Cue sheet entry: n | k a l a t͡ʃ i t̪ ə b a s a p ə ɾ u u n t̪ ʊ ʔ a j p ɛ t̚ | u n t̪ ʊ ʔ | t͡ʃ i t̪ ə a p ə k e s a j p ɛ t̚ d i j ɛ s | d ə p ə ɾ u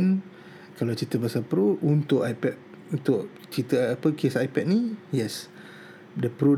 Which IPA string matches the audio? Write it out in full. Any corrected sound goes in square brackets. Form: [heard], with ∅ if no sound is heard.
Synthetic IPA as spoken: n | k a l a t͡ʃ i t̪ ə b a s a p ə ɾ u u n t̪ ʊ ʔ a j p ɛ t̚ | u n t̪ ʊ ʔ | t͡ʃ i t̪ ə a p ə k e s a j p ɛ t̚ [n] i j ɛ s | d ə p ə ɾ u